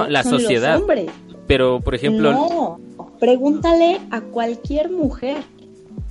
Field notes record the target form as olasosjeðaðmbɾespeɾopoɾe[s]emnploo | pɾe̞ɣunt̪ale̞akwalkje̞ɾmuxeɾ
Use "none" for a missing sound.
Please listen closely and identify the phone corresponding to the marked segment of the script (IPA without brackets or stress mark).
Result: x